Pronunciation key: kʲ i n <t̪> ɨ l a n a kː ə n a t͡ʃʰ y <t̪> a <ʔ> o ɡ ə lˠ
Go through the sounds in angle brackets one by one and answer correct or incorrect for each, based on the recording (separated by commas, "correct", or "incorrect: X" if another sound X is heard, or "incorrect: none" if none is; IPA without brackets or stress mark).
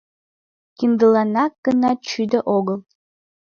incorrect: d̪, incorrect: d̪, correct